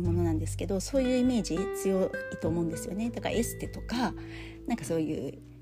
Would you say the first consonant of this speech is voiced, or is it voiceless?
voiced